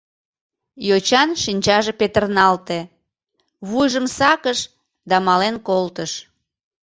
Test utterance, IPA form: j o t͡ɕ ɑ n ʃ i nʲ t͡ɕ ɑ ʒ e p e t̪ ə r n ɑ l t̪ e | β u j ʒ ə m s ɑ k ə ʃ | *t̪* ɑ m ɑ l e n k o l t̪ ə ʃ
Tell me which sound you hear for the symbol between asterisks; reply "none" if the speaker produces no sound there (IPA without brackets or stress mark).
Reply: d̪